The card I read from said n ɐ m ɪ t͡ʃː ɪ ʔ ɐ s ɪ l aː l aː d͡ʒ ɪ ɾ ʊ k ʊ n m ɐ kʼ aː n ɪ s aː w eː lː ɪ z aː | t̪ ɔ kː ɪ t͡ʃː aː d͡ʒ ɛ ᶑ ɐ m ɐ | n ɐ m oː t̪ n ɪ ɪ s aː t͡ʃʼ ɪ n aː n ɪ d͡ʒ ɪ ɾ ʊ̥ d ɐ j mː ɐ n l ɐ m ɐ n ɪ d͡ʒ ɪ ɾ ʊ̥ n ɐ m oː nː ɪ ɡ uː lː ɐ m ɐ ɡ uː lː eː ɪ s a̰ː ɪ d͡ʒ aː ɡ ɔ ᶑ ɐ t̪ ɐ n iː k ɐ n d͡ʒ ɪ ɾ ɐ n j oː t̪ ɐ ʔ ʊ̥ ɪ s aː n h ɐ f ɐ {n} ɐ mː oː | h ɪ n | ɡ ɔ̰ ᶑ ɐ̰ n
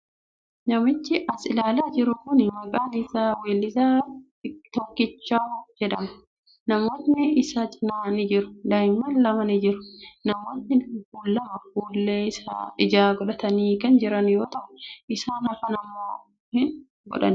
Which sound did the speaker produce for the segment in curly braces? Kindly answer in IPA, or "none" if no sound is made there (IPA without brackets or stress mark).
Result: n